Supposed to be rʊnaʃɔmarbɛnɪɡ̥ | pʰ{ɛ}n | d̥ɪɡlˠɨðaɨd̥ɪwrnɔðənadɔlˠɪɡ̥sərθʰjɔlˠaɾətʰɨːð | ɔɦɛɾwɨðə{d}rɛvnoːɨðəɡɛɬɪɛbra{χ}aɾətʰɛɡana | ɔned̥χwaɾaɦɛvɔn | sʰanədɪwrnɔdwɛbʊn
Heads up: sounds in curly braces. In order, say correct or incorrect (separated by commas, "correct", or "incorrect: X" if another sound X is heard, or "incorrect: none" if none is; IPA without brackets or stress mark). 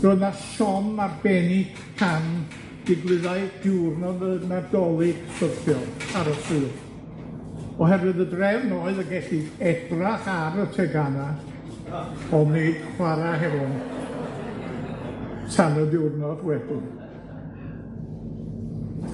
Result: incorrect: a, correct, correct